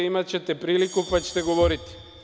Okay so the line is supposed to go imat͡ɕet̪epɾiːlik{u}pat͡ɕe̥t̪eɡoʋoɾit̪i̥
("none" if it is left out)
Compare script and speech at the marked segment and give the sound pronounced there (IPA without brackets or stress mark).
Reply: u